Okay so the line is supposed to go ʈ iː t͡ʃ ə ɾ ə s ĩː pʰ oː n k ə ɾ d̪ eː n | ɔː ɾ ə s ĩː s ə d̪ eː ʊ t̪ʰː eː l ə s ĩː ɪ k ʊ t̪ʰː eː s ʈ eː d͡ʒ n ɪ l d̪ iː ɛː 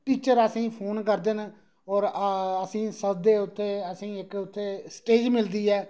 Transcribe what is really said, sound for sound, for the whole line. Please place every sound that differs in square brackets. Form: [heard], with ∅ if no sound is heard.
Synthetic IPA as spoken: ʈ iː t͡ʃ ə ɾ ə s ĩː pʰ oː n k ə ɾ d̪ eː n | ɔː ɾ ə s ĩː s ə d̪ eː ʊ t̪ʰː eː [∅] ə s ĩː ɪ k ʊ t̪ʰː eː s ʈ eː d͡ʒ [m] ɪ l d̪ iː ɛː